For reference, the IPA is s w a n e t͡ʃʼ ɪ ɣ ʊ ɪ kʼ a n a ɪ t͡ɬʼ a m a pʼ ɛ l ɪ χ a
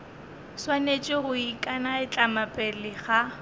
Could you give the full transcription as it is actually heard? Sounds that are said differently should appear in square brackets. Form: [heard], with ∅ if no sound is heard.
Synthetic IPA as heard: s w a n e t͡ʃʼ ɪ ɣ ʊ [i] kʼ a n a ɪ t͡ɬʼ a m a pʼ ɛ l ɪ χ a